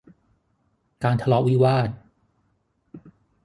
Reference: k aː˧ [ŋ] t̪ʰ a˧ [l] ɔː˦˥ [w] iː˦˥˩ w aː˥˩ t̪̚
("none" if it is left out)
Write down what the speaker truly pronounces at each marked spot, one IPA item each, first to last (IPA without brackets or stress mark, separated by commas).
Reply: n, l, w